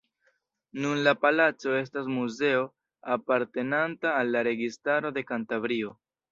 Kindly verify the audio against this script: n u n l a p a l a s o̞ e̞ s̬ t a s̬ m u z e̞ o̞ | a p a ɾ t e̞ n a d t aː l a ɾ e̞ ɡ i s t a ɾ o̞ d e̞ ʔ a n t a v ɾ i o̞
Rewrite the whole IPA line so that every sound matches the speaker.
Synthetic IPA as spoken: n u n l a p a l a t͡s o̞ e̞ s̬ t a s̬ m u z e̞ o̞ | a p a ɾ t e̞ n a n t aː lː a ɾ e̞ ɡ i s t a ɾ o̞ d e̞ k a n t a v ɾ i o̞